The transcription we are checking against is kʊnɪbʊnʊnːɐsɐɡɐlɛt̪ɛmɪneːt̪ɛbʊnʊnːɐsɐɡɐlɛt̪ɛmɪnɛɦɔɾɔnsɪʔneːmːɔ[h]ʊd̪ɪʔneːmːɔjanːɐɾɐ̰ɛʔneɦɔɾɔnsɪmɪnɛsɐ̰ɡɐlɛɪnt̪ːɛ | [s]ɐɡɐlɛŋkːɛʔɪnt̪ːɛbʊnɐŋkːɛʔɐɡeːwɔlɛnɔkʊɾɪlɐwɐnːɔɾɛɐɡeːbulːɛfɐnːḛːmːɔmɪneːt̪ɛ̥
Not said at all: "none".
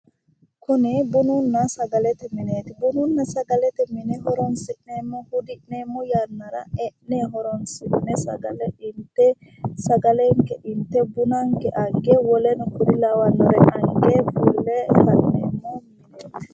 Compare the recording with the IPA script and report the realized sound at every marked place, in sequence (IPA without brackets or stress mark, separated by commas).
h, s